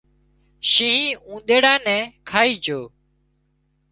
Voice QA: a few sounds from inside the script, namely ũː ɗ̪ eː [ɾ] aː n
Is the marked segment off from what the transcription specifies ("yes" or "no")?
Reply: yes